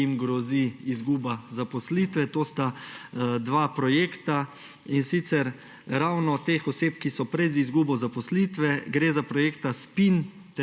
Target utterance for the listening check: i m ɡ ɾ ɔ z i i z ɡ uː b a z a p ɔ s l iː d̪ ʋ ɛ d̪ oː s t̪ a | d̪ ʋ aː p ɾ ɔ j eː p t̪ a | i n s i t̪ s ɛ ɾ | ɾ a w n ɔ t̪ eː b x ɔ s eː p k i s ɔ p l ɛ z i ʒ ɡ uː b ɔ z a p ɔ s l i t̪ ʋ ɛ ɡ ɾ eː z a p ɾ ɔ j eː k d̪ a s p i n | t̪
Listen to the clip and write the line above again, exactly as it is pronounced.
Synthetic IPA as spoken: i m ɡ ɾ ɔ z i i z ɡ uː b a z a p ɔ s l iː t̪ ʋ ɛ t̪ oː s t̪ a | d̪ ʋ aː p ɾ ɔ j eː k t̪ a | i n s i t̪ s ɛ ɾ | ɾ a w n ɔ t̪ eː x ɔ s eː p k i s ɔ p ɾ ɛ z i z ɡ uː b ɔ z a p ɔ s l i t̪ ʋ ɛ ɡ ɾ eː z a p ɾ ɔ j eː k t̪ a s p i n | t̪